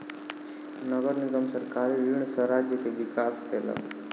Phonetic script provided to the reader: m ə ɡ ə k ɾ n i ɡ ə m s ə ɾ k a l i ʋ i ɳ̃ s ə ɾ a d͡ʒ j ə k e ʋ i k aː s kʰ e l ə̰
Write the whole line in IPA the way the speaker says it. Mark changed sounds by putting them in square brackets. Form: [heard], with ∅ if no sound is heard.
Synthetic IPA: [n] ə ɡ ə [∅] ɾ n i ɡ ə m s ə ɾ k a [ɾ] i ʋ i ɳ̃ s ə ɾ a d͡ʒ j ə k e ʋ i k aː s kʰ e l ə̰